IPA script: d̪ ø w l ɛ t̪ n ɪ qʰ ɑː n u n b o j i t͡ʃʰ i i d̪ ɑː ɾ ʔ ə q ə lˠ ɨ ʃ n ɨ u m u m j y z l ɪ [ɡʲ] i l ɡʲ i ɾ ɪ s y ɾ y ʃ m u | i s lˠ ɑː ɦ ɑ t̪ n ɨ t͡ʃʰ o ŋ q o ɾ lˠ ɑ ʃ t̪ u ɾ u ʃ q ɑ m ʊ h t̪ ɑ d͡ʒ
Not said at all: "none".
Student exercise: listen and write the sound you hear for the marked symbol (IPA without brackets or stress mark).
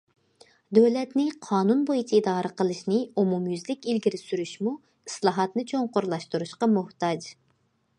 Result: kʲ